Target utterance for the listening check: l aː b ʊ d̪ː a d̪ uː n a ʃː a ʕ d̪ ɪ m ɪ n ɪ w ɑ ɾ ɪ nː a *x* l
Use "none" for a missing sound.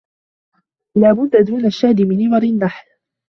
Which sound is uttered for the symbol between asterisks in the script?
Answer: ħ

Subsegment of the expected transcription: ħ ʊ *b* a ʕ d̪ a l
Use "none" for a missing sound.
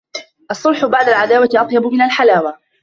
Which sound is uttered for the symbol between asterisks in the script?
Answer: b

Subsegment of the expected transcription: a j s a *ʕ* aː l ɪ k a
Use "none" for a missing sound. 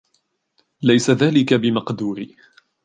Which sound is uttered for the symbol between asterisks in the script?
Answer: ð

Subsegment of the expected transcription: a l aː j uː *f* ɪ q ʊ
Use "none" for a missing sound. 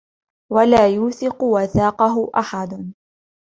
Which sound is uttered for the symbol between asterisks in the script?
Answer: θ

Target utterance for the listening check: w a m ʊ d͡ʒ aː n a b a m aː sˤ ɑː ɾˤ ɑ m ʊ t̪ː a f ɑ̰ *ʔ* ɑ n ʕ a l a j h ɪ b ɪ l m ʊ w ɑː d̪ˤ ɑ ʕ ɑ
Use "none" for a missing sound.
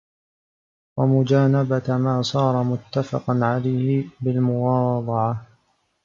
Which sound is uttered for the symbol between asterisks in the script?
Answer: q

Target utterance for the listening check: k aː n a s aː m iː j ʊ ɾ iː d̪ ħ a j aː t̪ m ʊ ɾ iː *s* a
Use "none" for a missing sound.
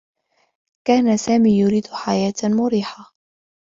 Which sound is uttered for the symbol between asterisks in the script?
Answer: ħ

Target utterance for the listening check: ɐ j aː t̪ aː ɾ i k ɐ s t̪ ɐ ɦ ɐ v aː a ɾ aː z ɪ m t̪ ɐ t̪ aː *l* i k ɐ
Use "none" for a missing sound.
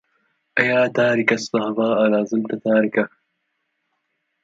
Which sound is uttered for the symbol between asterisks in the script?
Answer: ɾ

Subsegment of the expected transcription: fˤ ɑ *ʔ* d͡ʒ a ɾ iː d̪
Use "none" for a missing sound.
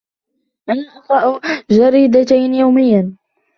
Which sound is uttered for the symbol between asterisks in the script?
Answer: ʔ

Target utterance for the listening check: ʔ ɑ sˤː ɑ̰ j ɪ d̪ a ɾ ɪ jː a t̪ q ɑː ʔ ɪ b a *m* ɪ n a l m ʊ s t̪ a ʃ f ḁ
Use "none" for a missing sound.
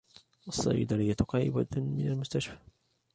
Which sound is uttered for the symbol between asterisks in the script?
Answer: m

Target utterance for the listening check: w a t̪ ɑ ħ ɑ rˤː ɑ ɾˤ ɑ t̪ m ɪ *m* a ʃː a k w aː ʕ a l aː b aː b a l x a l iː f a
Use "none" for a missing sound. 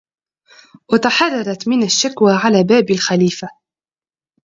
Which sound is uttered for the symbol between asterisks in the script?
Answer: n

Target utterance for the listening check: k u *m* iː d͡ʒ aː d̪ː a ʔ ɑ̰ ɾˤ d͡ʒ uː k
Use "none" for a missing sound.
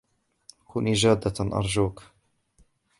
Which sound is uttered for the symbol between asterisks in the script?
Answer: n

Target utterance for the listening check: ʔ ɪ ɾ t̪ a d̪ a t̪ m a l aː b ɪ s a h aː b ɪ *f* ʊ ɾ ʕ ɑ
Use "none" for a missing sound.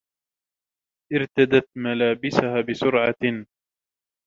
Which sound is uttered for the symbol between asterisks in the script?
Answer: s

